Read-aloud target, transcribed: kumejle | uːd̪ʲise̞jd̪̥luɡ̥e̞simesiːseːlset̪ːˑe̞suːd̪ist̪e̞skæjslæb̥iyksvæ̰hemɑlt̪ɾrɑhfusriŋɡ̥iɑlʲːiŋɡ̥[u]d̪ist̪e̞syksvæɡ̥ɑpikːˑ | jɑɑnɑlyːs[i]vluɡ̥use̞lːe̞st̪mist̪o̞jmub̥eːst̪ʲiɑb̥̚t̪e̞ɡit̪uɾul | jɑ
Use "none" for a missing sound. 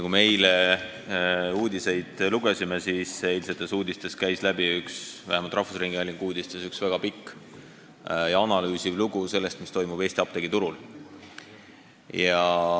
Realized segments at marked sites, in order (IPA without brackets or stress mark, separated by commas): uː, i